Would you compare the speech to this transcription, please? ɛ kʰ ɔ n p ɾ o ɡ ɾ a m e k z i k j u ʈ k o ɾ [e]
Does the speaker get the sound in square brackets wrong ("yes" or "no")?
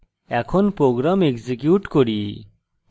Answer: yes